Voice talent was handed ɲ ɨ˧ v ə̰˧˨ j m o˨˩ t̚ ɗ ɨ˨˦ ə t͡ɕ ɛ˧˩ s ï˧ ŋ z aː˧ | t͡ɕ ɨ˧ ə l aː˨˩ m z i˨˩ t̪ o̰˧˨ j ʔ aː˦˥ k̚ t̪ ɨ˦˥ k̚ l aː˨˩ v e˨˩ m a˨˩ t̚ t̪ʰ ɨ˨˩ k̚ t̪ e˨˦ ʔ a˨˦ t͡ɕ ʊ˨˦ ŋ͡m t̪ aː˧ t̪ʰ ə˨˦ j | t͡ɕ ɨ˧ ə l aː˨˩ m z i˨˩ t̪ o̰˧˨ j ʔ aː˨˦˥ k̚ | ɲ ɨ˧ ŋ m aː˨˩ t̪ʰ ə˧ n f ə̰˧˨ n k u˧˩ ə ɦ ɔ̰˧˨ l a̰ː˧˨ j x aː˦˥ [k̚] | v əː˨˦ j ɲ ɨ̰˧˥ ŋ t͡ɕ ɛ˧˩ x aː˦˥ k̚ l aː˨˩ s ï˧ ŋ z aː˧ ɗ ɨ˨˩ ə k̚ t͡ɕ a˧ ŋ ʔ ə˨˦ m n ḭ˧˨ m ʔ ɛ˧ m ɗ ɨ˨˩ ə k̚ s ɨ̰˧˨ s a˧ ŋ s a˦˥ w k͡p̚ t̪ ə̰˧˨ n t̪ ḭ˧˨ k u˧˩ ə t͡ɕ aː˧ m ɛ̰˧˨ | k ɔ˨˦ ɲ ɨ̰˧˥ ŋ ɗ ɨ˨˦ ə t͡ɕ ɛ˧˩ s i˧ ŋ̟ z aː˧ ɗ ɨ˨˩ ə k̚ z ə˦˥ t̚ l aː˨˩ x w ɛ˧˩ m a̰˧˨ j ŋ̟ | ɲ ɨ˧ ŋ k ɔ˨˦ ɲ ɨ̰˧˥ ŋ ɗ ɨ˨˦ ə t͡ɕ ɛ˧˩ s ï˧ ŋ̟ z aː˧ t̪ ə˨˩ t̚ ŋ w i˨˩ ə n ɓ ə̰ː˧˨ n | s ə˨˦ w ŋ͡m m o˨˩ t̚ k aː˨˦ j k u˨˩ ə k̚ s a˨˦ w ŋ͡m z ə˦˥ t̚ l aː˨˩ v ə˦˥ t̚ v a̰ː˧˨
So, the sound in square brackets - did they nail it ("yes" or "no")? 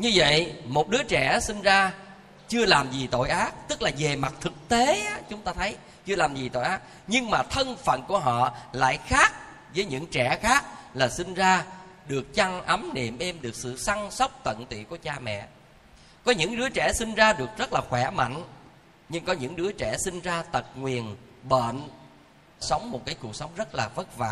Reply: yes